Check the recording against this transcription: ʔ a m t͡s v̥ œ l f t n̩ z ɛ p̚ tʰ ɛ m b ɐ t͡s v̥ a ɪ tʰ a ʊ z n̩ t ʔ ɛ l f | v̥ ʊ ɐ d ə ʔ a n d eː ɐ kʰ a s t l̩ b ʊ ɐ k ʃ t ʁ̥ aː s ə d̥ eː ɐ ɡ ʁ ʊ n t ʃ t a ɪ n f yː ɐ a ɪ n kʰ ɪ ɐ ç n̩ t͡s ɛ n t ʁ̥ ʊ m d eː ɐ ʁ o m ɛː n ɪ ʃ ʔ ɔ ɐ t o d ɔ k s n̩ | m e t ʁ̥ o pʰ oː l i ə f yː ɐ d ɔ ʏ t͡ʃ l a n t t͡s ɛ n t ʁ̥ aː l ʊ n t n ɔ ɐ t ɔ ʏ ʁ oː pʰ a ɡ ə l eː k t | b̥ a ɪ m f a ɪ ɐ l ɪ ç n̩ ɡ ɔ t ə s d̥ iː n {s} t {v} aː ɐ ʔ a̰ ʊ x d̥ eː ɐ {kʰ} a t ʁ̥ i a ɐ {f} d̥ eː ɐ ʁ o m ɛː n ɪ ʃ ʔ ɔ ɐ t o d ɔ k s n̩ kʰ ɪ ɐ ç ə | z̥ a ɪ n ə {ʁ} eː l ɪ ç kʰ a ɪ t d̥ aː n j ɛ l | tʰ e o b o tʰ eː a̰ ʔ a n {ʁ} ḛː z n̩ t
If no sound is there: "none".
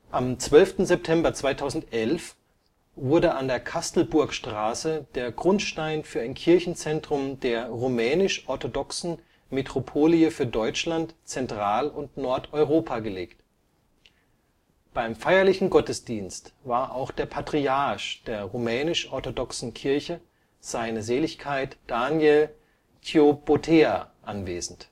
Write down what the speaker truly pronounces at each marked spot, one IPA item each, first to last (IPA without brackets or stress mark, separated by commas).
s, v, pʰ, ʃ, z, v